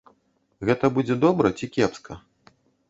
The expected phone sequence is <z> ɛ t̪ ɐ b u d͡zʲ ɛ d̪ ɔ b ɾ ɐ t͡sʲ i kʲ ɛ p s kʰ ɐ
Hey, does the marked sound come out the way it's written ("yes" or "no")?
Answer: no